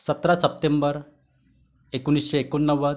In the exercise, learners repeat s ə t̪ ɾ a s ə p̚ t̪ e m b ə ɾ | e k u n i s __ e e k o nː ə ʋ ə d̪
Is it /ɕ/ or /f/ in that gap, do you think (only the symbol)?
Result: ɕ